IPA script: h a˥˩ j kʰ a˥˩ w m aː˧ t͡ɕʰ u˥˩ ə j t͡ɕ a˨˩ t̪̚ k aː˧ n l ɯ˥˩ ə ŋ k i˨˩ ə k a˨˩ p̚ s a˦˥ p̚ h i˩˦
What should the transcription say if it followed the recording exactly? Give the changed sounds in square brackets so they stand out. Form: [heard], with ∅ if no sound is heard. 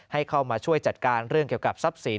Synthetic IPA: h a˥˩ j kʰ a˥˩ w m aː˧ t͡ɕʰ u˥˩ ə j t͡ɕ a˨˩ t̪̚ k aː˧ n [ɾ] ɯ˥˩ ə ŋ k i˨˩ ə k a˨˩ p̚ s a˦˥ p̚ [s] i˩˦